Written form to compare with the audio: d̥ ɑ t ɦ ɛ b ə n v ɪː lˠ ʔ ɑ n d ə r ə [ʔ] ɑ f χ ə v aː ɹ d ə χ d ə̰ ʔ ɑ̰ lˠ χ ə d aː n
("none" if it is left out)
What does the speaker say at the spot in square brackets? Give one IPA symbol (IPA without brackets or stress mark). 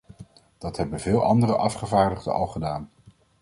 ʔ